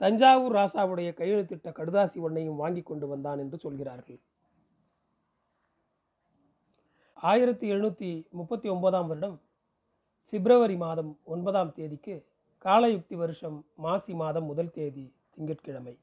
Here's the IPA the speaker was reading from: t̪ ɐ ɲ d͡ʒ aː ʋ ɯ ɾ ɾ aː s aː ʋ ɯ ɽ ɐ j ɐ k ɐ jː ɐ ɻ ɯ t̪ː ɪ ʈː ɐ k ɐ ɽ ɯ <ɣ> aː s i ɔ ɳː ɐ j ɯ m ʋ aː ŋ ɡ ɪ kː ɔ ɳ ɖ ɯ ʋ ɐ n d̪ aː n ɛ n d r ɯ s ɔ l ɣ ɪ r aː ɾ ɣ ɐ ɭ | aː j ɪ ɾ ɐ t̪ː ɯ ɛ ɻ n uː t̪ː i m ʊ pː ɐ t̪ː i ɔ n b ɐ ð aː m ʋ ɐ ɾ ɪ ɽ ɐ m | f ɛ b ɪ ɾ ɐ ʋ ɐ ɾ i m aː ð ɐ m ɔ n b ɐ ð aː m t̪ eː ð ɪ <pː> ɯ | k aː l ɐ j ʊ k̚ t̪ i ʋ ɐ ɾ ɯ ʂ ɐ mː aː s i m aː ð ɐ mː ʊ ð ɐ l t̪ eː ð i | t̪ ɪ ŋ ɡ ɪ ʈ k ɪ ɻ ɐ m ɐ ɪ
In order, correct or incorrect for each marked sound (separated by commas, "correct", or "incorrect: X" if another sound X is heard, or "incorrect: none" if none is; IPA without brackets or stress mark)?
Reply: incorrect: ð, incorrect: kː